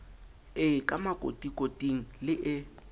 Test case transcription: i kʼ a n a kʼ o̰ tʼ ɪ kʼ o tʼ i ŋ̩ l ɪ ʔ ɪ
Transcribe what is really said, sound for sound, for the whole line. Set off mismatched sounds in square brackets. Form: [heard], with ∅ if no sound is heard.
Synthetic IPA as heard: [ɪ] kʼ a [m] a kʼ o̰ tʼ [i] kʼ o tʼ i ŋ̩ l ɪ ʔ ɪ